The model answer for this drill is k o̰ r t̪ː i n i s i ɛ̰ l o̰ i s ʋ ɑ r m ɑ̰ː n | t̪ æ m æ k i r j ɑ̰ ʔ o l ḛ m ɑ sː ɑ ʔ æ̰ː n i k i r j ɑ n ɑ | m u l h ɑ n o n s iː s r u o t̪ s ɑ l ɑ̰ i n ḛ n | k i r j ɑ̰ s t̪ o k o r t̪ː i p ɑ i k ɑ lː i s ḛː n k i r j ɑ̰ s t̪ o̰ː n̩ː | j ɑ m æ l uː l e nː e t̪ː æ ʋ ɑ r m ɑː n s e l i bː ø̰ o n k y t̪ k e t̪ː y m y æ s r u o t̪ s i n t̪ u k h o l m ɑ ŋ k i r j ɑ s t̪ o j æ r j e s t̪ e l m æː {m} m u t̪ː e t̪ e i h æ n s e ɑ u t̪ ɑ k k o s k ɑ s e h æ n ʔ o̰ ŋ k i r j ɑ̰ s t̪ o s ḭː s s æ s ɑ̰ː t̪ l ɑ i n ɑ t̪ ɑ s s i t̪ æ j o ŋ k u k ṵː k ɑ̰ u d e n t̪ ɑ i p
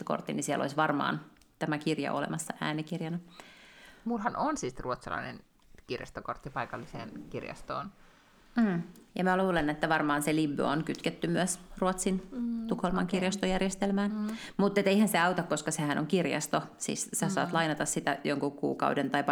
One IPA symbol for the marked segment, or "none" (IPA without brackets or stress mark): n